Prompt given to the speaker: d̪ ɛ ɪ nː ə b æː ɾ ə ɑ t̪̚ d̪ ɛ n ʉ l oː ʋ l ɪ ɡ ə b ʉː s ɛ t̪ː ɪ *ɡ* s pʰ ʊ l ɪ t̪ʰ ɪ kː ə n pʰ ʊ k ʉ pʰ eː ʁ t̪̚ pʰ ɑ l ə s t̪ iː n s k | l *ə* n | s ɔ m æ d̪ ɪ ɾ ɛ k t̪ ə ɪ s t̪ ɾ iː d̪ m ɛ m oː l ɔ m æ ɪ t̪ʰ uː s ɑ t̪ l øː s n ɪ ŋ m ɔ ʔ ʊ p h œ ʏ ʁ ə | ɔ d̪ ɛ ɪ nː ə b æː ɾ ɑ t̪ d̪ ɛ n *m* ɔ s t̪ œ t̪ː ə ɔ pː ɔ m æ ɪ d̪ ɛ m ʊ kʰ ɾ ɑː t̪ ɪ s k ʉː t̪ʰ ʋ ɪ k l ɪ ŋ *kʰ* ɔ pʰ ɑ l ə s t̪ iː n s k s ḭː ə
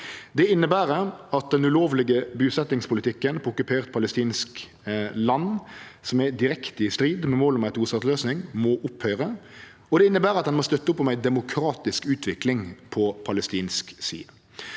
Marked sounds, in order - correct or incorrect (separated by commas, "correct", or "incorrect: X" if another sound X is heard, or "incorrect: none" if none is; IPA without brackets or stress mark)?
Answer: incorrect: ŋ, incorrect: ɑ, correct, incorrect: pʰ